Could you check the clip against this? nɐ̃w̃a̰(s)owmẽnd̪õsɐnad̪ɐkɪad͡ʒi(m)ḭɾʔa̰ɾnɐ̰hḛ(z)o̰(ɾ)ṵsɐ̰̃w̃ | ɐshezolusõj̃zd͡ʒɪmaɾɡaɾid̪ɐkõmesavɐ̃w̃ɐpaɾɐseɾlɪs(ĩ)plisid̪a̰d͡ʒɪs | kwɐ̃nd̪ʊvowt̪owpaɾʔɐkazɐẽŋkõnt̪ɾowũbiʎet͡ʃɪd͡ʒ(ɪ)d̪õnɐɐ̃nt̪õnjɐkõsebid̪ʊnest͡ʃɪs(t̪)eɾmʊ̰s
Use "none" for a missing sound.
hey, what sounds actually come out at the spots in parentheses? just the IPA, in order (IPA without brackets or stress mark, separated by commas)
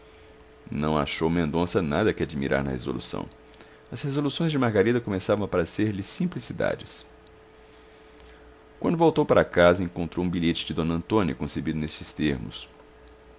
ʃ, m, z, l, ĩ, ɪ, t̪